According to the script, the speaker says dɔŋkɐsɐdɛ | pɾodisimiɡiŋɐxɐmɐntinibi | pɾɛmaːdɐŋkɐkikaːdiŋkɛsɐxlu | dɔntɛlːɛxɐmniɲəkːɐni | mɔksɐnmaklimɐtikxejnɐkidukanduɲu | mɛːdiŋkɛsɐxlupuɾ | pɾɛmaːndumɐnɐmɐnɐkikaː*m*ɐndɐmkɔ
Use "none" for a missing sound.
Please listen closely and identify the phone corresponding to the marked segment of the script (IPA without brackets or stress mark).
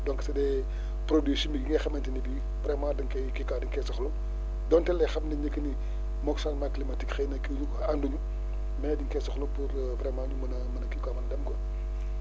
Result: m